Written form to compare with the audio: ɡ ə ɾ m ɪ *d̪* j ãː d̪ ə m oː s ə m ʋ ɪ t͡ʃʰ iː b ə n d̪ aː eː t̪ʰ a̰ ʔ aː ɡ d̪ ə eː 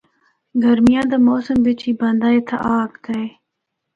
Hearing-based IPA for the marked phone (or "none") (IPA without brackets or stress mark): none